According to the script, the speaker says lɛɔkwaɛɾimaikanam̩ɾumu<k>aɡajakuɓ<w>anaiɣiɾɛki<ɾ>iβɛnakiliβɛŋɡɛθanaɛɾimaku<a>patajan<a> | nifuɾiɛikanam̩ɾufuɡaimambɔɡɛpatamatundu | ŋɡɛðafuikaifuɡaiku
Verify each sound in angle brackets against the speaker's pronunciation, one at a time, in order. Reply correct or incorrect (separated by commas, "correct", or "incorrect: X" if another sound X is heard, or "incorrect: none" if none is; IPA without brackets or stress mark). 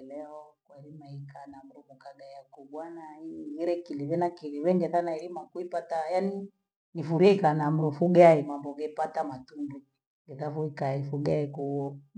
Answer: correct, correct, incorrect: l, incorrect: i, incorrect: i